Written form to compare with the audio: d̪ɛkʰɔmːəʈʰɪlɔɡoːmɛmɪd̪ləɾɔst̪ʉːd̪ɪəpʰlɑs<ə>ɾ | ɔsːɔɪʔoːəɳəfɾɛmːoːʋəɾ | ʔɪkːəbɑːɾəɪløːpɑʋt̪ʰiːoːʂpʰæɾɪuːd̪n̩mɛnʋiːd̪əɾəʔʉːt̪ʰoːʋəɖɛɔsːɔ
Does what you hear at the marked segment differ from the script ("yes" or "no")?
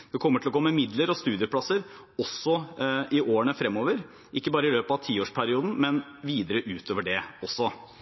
no